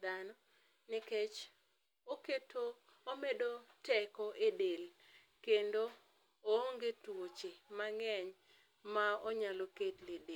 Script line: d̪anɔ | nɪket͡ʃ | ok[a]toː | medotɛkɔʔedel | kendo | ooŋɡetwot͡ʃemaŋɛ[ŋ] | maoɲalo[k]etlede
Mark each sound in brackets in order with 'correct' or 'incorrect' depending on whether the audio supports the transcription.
incorrect: e, incorrect: ɲ, correct

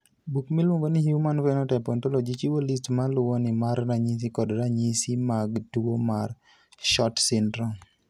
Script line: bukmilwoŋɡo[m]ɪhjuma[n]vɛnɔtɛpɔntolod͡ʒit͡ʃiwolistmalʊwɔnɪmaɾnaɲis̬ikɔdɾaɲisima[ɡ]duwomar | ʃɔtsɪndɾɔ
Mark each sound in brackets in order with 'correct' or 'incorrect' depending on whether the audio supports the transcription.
incorrect: n, correct, correct

